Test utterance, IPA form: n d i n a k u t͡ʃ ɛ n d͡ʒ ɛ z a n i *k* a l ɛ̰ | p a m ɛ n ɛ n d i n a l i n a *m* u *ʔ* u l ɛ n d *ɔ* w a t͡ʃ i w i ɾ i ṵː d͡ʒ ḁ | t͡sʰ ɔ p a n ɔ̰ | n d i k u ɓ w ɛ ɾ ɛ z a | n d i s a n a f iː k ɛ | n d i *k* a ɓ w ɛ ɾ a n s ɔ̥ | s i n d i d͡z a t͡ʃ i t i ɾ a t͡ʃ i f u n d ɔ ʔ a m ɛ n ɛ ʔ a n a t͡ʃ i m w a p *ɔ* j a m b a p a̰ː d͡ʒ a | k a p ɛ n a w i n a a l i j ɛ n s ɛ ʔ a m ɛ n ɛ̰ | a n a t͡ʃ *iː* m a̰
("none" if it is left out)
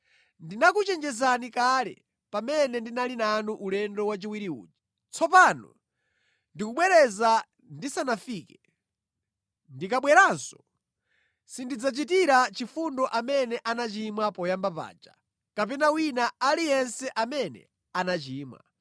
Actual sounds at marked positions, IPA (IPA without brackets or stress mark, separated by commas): k, n, ʔ, ɔ, k, ɔ, iː